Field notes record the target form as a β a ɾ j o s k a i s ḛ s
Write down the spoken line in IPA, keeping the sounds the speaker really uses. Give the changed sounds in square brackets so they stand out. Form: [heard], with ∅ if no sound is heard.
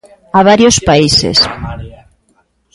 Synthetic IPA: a β a ɾ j o s [p] a i s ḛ s